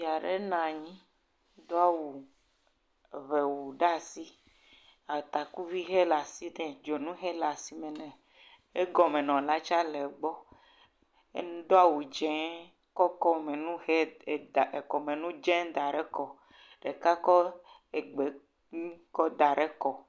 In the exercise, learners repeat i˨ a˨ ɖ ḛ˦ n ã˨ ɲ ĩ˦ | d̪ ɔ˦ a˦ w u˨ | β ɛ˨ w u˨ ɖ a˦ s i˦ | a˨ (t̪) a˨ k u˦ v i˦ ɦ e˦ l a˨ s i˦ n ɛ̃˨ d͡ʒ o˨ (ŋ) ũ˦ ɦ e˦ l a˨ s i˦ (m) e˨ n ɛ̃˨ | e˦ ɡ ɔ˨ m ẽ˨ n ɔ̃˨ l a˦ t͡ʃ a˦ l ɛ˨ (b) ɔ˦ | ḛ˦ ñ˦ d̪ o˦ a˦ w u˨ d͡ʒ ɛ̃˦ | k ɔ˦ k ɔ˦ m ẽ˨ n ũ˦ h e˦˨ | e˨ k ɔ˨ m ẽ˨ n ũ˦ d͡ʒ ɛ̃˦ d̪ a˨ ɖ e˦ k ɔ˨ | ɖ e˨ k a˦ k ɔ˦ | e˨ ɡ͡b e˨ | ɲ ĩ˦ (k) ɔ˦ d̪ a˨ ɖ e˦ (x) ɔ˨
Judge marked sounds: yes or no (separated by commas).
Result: yes, no, yes, no, yes, no